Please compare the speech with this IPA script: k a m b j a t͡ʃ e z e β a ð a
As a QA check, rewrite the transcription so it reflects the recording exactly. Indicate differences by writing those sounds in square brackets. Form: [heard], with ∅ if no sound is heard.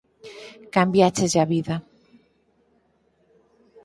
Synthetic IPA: k a m b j a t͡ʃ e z [a] β [i] ð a